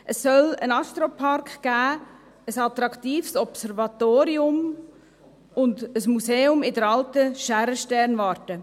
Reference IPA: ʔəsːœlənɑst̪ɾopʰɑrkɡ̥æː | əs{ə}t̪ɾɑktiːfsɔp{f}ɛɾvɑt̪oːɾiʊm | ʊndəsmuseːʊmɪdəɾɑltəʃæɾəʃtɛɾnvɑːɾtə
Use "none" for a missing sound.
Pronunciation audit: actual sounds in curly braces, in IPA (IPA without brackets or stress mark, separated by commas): ɑ, s